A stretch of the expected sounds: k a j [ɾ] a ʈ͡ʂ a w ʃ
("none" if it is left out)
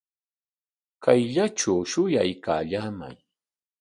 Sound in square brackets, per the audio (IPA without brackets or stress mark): ʎ